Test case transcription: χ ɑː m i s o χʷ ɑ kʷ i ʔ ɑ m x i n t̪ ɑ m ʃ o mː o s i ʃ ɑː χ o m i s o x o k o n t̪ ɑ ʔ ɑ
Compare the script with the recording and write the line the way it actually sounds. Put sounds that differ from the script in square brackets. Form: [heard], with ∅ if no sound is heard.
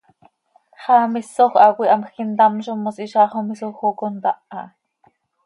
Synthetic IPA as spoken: χ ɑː m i s o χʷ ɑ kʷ i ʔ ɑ m x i n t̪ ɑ m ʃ o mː o s i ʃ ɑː χ o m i s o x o k o n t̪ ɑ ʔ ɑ